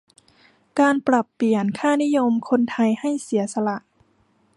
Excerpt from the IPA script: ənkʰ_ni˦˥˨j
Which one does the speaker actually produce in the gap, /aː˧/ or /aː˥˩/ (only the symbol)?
aː˥˩